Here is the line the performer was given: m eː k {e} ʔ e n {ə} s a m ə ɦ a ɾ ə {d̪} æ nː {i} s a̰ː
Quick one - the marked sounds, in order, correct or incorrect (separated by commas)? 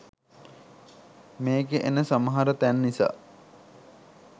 correct, correct, incorrect, correct